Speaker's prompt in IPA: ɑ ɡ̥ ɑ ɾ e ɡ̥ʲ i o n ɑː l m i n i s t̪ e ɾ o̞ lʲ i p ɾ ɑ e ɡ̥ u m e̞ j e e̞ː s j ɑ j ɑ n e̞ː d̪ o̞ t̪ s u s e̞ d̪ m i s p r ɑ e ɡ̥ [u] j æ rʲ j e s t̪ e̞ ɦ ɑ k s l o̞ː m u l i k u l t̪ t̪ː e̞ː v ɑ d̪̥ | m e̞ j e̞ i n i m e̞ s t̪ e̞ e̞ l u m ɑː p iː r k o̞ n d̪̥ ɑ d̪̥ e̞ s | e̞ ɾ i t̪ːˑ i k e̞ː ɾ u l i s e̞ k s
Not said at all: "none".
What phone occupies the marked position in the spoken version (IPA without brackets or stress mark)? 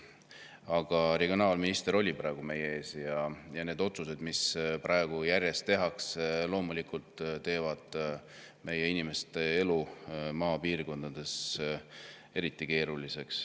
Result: u